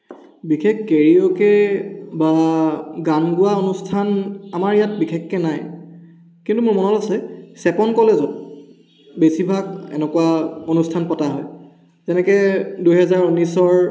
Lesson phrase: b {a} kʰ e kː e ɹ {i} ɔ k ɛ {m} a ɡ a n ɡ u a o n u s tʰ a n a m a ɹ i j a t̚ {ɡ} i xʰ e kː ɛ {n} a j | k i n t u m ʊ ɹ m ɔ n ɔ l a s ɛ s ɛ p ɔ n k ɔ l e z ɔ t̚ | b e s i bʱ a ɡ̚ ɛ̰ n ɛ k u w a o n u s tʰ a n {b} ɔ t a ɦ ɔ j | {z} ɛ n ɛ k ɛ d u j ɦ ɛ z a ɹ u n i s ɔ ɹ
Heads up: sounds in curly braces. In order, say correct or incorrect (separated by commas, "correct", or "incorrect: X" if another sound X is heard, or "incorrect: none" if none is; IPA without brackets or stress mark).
incorrect: i, correct, incorrect: b, incorrect: b, correct, incorrect: p, correct